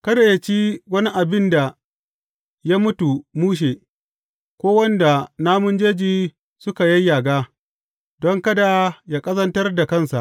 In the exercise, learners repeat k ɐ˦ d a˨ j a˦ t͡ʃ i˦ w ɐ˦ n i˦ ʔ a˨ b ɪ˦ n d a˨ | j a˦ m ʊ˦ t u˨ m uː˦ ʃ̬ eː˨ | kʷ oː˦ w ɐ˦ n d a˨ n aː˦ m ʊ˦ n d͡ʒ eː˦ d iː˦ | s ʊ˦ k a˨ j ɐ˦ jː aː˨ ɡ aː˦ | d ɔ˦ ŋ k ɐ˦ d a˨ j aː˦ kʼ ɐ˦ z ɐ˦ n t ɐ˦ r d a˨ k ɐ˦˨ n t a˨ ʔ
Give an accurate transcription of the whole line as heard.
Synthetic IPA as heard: k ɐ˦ d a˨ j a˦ t͡ʃ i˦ w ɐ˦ n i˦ ʔ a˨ b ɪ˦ n d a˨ | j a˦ m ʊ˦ t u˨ m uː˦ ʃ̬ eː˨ | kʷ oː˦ w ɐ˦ n d a˨ n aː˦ m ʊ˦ n d͡ʒ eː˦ d͡ʒ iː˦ | s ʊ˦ k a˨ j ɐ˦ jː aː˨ ɡ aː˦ | d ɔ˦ ŋ k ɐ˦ d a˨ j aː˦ kʼ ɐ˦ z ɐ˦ n t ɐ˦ r d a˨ k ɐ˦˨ n s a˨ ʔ

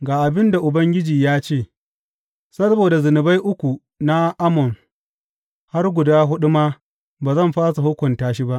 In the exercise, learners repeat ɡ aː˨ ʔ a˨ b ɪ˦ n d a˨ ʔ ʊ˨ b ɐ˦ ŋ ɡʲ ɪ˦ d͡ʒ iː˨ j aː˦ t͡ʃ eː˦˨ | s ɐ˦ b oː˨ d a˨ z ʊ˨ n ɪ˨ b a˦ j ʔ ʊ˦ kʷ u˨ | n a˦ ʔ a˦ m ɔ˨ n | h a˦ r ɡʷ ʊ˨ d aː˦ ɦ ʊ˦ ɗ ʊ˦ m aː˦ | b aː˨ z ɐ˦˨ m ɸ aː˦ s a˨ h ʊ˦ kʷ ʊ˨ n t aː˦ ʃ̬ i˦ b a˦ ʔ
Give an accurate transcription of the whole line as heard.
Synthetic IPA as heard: ɡ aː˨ ʔ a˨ b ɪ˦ n d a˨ ʔ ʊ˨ b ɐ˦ ŋ ɡʲ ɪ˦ d͡ʒ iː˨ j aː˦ t͡ʃ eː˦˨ | s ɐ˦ b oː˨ d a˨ z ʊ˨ n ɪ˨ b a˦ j ʔ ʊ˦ kʷ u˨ | n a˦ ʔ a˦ m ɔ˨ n | h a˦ r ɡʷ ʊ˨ d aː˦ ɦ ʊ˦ ɗ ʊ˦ m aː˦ | b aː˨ z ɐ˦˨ m ɸ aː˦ s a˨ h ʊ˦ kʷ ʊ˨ n t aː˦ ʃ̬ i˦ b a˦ ʔ

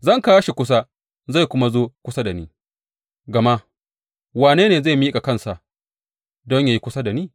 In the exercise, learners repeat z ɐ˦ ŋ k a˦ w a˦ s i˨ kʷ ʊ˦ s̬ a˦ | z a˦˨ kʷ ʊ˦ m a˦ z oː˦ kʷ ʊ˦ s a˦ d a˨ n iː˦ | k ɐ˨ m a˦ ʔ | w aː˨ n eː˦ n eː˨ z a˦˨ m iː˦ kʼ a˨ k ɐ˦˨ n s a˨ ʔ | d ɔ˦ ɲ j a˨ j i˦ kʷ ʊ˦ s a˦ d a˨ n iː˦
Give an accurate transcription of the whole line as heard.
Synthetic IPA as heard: z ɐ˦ ŋ k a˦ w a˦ ʃ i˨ kʷ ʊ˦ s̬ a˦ | z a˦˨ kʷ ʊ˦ m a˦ z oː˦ kʷ ʊ˦ s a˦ d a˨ n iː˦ | ɡ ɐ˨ m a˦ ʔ | w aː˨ n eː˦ n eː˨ z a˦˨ m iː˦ kʼ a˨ k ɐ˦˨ n s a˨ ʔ | d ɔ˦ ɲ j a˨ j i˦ kʷ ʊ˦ s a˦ d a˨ n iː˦

